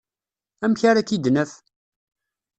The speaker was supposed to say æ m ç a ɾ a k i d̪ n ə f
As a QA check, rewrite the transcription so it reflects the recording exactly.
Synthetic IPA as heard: æ m ç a ɾ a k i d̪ n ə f